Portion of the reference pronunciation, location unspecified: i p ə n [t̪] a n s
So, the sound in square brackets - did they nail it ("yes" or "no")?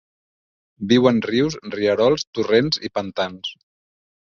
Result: yes